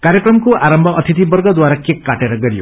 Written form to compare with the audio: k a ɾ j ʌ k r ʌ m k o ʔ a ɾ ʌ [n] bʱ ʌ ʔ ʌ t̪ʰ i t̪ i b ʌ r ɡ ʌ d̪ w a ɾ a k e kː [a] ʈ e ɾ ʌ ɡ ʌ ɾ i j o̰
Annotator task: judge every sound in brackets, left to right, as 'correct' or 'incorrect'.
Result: incorrect: m, correct

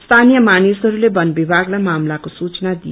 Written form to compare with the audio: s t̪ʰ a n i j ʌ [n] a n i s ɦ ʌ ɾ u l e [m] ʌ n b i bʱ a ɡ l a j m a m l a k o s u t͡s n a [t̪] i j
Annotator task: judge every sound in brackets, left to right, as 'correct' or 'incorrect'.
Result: incorrect: m, incorrect: b, incorrect: d̪

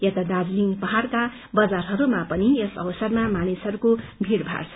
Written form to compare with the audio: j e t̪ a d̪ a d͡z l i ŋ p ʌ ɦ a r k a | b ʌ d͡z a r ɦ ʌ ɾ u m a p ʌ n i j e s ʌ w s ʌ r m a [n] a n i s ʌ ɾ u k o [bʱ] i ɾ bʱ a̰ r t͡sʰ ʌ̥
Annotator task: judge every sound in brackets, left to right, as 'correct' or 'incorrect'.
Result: incorrect: m, correct

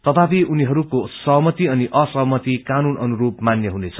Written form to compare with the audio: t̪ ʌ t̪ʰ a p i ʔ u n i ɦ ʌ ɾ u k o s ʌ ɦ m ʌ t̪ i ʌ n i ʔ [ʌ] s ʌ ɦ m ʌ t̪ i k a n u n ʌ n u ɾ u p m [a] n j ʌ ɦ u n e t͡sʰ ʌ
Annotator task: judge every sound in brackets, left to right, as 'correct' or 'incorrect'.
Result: correct, correct

